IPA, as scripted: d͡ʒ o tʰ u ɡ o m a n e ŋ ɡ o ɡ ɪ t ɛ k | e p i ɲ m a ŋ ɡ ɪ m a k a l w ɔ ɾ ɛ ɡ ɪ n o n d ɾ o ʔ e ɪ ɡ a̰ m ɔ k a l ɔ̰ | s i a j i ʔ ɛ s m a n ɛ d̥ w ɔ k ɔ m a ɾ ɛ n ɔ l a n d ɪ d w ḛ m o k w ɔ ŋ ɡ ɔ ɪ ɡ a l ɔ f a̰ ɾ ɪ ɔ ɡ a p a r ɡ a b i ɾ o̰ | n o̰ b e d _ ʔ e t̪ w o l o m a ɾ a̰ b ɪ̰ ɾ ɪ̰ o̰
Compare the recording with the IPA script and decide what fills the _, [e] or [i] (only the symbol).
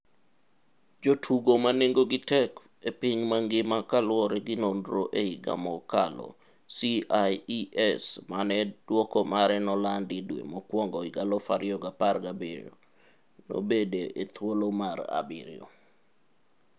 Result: e